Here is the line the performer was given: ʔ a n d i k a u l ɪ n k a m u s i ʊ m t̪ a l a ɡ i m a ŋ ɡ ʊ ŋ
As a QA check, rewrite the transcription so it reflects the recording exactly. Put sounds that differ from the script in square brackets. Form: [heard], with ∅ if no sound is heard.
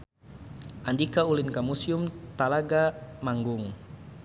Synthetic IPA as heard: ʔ a n d i k a u l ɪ n k a m u s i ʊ m t̪ a l a ɡ [a] m a ŋ ɡ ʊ ŋ